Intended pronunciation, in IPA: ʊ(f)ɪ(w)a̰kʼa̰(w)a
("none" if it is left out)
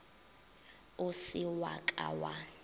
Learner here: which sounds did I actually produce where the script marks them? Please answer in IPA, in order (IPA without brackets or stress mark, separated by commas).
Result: s, w, w